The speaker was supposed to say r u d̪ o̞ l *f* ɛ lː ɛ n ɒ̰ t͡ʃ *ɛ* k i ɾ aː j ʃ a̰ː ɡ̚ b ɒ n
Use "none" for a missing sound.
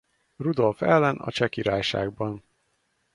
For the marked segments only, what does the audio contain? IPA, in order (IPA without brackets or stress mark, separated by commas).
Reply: f, ɛ